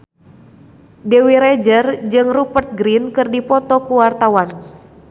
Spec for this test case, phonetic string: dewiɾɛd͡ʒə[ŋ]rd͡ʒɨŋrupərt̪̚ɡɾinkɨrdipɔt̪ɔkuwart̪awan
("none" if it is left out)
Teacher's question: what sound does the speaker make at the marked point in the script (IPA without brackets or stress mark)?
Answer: none